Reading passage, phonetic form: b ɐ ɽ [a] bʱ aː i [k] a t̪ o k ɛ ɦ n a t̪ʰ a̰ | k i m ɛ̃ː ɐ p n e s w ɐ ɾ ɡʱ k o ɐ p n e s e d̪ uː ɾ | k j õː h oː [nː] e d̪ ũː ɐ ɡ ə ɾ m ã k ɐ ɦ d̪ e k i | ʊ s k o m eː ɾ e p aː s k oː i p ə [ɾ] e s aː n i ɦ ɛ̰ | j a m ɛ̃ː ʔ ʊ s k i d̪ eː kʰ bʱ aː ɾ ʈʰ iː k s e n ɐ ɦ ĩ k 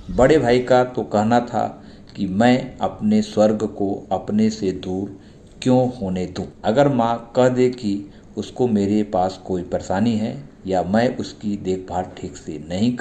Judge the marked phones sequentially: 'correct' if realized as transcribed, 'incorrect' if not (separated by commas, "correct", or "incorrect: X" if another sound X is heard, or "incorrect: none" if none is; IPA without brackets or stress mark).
incorrect: e, correct, incorrect: n, correct